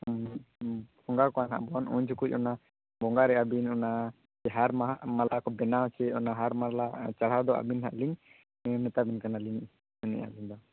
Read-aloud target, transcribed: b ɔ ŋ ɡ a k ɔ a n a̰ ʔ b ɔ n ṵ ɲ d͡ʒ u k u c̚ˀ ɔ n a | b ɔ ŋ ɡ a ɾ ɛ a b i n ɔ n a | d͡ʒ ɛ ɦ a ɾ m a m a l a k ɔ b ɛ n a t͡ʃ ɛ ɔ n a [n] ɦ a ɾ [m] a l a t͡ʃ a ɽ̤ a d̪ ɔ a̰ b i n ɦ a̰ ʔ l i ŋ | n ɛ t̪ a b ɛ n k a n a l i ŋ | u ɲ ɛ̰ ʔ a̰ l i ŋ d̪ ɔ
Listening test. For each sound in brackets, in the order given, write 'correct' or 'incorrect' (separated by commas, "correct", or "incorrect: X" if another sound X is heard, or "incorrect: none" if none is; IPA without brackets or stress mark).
incorrect: none, correct